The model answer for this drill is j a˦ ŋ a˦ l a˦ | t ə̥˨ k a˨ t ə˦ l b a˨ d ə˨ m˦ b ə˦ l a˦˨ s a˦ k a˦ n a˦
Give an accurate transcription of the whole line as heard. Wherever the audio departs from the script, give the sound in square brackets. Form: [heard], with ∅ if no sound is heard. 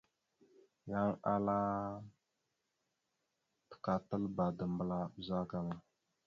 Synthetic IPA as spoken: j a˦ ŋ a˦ l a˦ | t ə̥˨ k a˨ t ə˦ l b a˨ d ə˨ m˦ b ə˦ l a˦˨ [z] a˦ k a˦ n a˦